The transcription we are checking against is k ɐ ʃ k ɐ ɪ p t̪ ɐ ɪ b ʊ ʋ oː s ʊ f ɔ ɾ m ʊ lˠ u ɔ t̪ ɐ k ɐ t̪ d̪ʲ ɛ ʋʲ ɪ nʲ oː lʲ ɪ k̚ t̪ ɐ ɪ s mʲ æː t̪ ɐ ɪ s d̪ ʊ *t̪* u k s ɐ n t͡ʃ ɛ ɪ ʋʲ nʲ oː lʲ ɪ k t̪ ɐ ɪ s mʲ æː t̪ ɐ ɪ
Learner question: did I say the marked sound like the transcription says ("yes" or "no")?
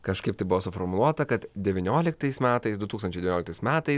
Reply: yes